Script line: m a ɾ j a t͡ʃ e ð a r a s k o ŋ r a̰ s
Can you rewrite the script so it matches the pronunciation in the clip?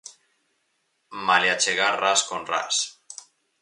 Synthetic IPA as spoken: m a l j a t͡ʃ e ɣ a r a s k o n r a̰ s